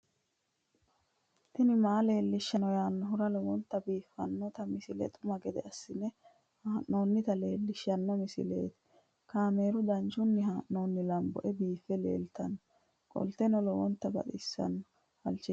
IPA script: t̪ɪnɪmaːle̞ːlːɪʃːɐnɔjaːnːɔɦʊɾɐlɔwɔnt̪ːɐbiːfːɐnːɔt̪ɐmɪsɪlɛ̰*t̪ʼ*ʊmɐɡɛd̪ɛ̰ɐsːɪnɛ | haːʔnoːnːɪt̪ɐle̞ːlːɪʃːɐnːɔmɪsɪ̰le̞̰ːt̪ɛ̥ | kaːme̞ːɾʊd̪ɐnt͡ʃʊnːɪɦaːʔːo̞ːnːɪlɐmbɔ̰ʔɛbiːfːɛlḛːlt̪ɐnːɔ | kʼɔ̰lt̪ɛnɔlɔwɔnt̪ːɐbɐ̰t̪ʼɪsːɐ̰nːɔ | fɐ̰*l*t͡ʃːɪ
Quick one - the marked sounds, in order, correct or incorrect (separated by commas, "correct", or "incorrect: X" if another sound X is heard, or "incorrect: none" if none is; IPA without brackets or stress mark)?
correct, correct